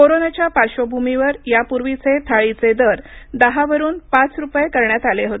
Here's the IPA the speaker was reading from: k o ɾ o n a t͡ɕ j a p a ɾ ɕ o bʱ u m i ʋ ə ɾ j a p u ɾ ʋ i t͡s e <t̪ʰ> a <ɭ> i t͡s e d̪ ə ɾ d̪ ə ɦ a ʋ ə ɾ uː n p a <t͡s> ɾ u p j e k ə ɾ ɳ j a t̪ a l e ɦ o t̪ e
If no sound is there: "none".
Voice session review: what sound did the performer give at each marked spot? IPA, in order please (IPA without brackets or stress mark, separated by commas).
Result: t̪ʰ, ɭ, t͡s